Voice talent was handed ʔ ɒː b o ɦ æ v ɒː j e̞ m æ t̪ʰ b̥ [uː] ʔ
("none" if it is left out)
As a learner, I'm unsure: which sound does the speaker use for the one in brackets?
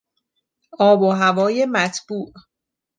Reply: uː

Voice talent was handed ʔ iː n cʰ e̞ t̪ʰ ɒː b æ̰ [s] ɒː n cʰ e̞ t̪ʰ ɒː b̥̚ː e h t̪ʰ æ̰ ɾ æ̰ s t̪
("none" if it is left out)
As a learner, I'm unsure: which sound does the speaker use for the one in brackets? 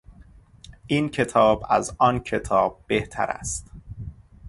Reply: z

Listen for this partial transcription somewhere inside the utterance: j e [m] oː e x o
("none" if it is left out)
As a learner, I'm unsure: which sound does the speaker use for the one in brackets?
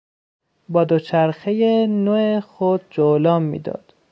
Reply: n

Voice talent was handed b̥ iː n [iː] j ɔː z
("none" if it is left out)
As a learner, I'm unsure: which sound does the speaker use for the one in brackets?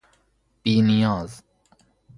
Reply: i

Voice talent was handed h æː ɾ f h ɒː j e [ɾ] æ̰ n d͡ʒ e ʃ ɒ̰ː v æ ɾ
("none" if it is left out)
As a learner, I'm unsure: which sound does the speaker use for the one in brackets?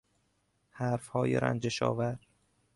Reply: ɾ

